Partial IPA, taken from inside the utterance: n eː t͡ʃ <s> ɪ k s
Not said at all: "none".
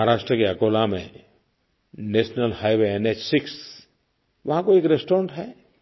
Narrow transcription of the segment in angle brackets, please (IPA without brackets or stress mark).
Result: s